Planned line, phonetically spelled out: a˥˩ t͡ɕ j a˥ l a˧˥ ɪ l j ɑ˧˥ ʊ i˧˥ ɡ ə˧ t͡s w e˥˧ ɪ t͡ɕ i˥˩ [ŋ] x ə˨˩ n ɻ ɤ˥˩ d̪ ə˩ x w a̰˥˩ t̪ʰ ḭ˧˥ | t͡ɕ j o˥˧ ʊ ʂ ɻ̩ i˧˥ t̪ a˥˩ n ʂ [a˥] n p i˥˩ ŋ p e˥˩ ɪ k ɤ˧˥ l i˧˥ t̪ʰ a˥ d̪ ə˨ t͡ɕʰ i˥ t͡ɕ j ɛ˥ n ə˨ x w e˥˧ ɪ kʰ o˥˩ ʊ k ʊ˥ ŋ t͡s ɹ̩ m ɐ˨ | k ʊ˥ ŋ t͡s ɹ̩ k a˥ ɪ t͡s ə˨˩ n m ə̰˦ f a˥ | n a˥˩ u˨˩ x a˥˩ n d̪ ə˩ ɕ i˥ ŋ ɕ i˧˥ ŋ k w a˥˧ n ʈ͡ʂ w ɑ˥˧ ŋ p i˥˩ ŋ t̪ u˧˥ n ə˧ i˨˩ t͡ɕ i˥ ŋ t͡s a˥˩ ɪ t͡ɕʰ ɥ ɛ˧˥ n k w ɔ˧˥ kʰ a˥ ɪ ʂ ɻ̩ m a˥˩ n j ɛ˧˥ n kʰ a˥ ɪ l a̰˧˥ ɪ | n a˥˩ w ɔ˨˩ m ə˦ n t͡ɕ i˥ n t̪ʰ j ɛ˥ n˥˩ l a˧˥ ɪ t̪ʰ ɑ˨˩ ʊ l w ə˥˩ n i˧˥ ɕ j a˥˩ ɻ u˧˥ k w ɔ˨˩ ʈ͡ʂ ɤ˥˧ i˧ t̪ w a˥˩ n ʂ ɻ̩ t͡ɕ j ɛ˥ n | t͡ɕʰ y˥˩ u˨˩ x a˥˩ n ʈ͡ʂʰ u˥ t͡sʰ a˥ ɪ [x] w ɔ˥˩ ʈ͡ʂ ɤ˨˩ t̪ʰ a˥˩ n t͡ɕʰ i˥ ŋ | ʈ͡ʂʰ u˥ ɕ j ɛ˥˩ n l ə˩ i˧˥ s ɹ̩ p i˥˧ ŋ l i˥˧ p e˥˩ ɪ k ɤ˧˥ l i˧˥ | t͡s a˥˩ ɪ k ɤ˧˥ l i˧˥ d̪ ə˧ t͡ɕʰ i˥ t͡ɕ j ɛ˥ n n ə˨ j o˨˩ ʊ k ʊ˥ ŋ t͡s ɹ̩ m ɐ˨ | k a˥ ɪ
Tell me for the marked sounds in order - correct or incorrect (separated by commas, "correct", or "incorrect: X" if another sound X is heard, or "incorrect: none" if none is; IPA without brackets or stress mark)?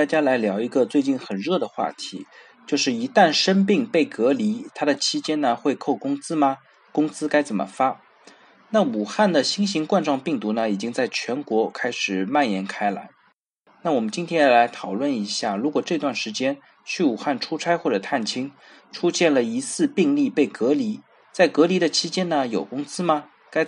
incorrect: n, incorrect: ə˥, correct